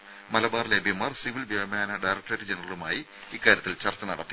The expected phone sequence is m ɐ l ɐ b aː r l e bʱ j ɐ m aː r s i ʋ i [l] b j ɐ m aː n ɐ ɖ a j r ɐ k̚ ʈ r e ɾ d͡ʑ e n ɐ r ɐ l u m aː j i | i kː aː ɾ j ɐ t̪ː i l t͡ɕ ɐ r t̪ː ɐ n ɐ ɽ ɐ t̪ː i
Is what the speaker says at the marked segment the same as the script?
yes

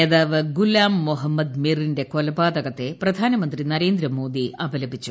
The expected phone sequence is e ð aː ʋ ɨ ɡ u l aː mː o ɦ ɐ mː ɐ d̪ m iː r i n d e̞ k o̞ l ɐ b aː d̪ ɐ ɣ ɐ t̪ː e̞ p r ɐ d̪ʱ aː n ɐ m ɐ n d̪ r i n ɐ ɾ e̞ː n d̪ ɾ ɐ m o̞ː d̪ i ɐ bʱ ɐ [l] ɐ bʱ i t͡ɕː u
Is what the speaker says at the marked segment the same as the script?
yes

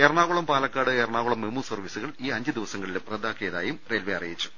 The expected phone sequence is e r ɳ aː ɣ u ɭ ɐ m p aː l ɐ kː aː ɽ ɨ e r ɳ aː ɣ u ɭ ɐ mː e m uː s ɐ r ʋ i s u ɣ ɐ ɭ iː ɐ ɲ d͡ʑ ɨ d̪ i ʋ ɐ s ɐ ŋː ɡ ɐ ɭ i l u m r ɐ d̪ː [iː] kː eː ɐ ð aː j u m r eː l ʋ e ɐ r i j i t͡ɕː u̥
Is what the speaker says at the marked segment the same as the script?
no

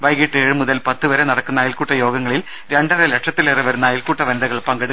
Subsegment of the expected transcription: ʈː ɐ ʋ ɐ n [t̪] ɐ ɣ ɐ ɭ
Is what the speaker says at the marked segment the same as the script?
no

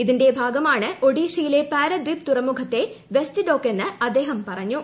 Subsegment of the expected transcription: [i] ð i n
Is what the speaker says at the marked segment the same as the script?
yes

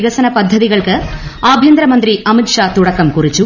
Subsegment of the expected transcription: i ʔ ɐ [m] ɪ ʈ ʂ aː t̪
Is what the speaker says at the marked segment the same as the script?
yes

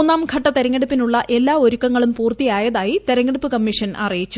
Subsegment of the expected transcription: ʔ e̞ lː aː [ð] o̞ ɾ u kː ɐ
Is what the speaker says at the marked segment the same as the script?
no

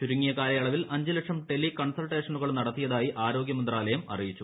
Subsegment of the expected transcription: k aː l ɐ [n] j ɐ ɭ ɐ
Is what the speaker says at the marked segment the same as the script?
no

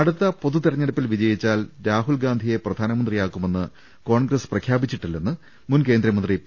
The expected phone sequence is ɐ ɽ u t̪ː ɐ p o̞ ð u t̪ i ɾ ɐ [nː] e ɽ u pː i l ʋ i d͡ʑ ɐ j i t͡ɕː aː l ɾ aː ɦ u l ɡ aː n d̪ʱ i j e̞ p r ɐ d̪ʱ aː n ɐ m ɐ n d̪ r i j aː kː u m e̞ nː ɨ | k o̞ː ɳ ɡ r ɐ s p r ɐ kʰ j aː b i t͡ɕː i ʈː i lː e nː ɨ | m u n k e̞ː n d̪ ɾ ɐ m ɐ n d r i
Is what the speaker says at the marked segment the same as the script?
no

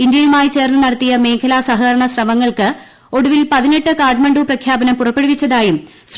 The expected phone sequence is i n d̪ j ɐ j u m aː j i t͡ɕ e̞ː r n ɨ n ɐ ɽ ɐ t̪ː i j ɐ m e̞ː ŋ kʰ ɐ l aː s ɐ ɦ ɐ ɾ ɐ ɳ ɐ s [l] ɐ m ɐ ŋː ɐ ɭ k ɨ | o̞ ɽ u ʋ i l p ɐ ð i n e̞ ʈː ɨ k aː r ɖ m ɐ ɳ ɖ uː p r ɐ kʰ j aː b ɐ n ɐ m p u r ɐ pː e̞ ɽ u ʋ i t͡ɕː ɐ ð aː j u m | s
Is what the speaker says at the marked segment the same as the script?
no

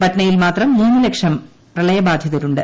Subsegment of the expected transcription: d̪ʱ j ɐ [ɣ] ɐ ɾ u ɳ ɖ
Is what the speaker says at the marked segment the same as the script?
no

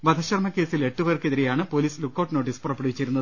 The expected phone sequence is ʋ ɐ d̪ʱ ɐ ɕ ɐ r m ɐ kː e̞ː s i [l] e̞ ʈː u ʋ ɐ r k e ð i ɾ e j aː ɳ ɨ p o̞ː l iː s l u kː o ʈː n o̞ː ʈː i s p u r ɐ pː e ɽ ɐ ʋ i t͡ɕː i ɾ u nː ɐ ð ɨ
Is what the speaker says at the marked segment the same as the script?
yes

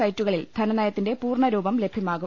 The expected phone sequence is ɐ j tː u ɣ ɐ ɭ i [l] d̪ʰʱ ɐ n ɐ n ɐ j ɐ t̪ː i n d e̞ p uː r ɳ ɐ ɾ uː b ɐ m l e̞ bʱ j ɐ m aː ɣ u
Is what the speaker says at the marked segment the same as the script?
yes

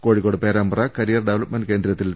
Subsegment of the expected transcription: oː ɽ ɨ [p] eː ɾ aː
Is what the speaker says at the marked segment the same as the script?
yes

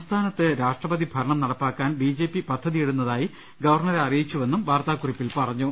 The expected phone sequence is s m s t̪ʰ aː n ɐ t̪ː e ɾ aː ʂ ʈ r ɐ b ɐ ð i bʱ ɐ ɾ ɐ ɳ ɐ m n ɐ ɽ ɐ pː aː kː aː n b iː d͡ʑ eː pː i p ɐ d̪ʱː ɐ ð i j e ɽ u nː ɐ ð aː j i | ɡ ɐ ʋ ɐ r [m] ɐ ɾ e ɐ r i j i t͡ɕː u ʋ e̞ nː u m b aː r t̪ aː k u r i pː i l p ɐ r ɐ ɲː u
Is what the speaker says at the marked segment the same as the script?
no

